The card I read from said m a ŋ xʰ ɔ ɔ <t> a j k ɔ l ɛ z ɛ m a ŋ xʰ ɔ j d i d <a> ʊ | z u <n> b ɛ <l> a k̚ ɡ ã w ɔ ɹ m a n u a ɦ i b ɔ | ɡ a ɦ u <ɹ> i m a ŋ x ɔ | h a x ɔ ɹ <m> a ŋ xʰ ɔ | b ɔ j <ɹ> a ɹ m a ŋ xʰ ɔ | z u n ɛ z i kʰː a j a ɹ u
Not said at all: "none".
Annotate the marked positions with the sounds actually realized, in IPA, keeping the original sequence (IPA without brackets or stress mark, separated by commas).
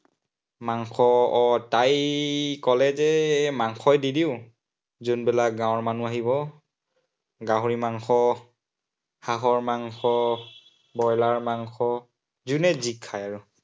t, i, n, l, ɹ, m, l